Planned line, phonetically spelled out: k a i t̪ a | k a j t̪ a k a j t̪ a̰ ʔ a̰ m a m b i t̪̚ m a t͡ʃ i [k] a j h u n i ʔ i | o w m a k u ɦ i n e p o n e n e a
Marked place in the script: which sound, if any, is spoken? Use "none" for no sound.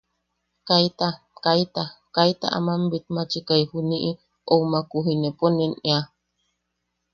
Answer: k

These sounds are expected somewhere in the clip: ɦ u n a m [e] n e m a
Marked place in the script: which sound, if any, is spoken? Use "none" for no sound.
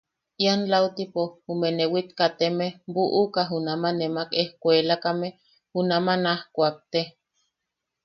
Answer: a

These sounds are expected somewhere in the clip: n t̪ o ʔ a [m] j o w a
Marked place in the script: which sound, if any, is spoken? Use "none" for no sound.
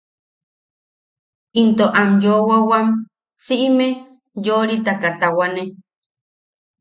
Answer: m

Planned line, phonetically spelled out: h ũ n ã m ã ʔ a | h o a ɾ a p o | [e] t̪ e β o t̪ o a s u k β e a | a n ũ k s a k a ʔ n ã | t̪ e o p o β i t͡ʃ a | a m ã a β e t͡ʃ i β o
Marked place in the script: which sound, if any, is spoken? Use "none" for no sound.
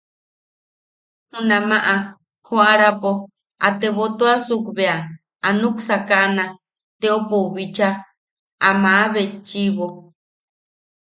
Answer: a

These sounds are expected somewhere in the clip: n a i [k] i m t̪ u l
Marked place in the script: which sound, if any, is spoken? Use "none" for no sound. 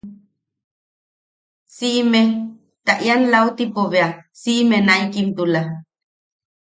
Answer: k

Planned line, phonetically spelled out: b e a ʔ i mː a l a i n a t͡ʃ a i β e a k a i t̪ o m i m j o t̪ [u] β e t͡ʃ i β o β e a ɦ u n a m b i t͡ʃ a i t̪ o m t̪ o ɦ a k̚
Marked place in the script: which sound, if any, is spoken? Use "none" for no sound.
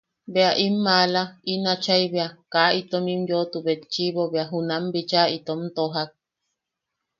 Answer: u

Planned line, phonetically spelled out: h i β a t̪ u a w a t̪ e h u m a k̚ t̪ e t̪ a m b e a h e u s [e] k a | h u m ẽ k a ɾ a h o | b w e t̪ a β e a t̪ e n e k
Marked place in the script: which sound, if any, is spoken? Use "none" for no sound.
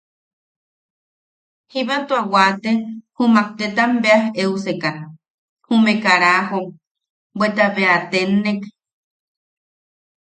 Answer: e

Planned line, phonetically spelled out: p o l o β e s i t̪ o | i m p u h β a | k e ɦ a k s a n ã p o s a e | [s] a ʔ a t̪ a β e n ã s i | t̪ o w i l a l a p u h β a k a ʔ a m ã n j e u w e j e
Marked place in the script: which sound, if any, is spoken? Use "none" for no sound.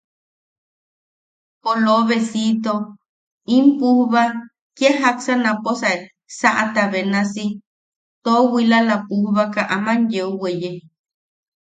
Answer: s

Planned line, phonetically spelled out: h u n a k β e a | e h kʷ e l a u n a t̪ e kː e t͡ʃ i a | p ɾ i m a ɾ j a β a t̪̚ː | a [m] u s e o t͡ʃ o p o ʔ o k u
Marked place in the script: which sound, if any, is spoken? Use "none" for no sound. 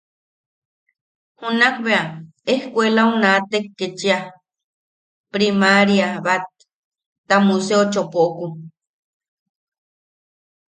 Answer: m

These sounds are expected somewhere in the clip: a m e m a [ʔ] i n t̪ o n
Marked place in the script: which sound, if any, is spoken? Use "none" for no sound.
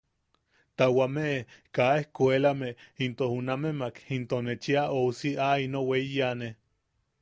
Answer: k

